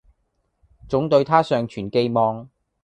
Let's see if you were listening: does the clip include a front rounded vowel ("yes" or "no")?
yes